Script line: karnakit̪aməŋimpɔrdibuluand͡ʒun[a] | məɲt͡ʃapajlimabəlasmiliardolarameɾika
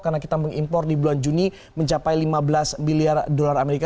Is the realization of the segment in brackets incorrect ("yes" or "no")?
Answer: yes